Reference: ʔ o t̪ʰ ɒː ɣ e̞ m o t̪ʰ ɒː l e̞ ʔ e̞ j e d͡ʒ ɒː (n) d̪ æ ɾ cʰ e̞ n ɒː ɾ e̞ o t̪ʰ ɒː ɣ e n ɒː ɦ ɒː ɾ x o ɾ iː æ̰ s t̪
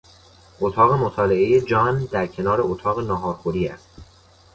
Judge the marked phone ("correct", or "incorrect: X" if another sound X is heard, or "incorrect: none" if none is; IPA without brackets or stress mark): correct